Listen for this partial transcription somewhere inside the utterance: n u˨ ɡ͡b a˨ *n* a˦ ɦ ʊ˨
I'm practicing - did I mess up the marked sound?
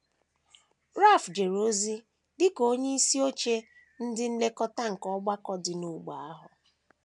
yes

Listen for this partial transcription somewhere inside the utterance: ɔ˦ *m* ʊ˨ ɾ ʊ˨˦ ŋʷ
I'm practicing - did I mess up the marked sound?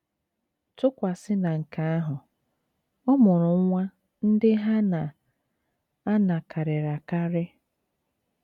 no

